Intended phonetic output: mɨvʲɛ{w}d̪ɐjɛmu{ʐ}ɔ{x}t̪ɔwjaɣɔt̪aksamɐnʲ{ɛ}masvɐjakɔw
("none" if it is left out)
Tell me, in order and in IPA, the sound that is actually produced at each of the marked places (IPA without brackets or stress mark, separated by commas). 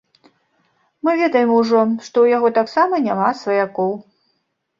none, ʐ, ʂ, a